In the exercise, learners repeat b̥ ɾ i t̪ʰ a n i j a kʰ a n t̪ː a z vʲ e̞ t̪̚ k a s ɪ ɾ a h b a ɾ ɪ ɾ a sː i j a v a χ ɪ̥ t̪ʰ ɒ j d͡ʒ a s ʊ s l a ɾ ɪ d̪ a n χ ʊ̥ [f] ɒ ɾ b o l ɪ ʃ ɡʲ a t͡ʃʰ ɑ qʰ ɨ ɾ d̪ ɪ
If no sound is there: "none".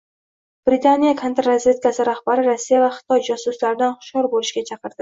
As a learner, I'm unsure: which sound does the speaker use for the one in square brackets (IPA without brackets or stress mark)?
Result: ʃ